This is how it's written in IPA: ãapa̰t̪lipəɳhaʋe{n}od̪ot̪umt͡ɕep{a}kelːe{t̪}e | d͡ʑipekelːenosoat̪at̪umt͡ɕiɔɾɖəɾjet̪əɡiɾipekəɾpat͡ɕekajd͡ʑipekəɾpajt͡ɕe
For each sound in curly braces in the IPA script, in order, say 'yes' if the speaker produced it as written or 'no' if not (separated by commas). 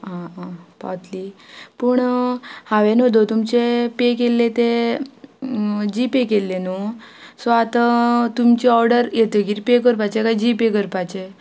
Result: yes, no, yes